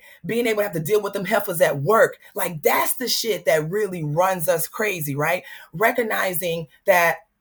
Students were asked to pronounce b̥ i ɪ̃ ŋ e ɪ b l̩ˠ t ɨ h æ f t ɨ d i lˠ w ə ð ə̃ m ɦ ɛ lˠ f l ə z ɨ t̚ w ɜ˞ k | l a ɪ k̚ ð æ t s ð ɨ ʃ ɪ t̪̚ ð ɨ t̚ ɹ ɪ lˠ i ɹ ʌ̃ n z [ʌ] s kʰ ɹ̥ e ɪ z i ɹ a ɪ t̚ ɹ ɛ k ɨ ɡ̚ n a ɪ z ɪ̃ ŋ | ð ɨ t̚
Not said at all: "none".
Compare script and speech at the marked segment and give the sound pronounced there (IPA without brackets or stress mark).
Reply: ʌ